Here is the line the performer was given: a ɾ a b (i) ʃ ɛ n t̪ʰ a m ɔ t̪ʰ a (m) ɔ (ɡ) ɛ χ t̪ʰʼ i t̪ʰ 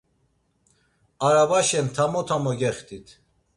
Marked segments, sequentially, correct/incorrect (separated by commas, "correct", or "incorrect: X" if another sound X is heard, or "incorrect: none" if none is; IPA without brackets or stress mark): incorrect: a, correct, correct